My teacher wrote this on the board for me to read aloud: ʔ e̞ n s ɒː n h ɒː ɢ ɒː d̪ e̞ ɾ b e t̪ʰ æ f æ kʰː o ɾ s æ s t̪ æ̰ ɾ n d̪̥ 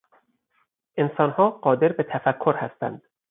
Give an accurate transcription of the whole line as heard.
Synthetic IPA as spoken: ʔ e̞ n s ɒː n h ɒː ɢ ɒː d̪ e̞ ɾ b e t̪ʰ æ f æ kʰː o ɾ h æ s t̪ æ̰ n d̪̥